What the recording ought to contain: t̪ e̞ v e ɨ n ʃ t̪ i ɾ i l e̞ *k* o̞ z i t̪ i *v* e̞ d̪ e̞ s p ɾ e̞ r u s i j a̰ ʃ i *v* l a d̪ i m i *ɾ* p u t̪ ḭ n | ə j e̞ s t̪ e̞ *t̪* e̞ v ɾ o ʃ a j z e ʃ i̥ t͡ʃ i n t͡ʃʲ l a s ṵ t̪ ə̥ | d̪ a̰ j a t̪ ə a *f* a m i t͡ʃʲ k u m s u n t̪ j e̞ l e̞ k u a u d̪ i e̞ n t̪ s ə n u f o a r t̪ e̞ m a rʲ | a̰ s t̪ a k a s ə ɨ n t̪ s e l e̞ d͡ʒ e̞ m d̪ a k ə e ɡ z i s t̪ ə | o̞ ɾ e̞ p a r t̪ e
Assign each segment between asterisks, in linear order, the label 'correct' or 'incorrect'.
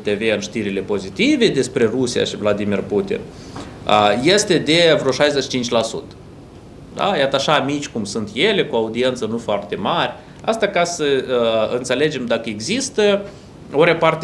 incorrect, correct, correct, incorrect, incorrect, incorrect

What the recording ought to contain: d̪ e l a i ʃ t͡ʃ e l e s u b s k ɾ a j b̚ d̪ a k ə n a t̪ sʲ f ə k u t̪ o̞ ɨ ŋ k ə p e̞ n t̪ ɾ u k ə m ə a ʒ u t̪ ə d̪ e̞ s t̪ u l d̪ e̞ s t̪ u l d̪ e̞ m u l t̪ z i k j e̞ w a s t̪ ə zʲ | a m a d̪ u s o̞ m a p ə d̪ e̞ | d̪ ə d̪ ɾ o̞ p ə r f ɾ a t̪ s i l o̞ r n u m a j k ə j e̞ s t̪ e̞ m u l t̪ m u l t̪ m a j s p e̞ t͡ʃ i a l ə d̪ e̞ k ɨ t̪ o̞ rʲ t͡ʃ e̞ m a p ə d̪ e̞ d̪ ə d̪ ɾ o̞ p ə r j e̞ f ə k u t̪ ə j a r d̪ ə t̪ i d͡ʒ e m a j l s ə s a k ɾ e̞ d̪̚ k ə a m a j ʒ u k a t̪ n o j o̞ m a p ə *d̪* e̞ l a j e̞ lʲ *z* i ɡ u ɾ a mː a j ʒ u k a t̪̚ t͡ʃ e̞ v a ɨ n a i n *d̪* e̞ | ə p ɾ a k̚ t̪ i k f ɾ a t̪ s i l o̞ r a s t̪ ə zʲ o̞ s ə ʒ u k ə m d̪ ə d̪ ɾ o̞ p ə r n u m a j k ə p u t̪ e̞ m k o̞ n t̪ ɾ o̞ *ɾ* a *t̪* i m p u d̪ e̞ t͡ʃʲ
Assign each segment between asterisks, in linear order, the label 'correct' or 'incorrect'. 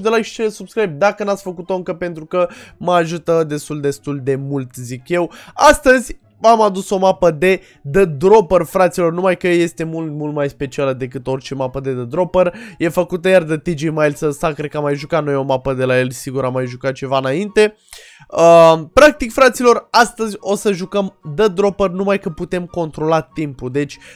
correct, incorrect, incorrect, incorrect, correct

